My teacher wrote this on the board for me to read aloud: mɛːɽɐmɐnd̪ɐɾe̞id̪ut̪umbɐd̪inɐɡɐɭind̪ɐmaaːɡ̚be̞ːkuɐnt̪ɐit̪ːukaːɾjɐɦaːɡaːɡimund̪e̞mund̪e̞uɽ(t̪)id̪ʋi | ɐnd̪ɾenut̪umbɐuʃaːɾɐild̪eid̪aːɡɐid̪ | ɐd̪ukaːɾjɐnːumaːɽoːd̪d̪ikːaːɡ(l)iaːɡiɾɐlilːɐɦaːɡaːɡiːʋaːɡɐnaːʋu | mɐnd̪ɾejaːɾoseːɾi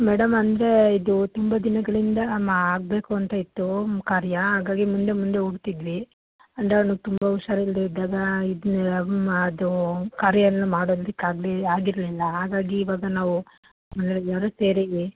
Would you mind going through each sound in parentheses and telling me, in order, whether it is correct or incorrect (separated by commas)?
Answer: correct, correct